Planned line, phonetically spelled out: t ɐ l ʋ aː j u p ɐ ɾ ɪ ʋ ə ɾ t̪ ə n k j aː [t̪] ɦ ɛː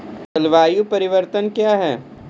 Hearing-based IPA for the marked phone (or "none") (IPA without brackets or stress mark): none